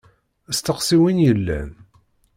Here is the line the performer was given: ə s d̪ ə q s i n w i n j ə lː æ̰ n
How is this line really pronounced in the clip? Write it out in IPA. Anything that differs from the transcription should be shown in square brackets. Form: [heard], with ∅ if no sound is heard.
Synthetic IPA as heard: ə s [t̪] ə q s i [∅] w i n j ə lː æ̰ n